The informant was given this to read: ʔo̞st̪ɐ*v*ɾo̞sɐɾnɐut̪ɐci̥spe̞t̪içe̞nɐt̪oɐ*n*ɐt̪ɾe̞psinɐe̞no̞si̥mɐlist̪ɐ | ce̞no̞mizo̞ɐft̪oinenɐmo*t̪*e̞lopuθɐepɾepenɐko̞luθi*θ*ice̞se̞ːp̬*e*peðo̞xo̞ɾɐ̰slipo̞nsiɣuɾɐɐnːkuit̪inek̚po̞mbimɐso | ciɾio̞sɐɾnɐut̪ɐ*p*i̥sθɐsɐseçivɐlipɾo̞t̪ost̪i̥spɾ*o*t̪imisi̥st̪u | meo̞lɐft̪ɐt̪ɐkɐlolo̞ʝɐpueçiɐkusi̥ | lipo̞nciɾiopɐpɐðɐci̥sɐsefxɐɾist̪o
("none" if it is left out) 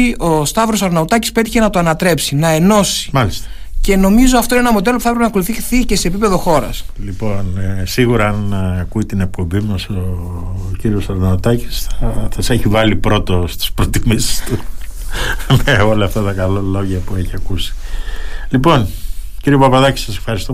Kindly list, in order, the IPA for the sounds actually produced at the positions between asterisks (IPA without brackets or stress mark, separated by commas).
v, n, d̪, θ, i, c, o